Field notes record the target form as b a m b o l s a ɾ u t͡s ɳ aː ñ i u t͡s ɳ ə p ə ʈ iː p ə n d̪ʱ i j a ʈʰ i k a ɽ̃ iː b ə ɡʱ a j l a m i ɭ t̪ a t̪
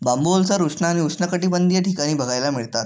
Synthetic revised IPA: b a m b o l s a ɾ u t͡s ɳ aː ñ i u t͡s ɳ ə k ə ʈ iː b ə n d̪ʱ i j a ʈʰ i k a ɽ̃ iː b ə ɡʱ a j l a m i ɭ t̪ a t̪